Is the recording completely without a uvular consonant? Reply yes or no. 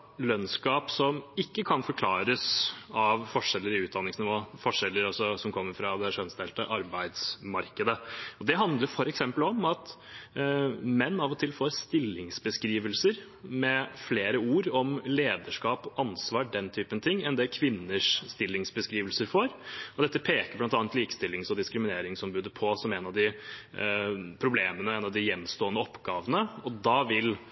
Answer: yes